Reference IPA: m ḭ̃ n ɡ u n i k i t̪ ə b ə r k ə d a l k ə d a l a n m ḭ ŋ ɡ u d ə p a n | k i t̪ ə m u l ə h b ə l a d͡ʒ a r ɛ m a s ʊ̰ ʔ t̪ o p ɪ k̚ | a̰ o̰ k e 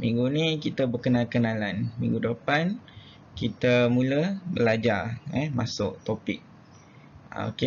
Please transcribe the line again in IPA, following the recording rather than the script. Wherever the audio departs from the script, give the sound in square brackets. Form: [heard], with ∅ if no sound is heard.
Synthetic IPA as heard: m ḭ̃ [ŋ] ɡ u n i k i t̪ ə b ə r k ə [n] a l k ə [n] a l a n m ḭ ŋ ɡ u d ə p a n | k i t̪ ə m u l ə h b ə l a d͡ʒ a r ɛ m a s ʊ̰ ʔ t̪ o p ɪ k̚ | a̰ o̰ k e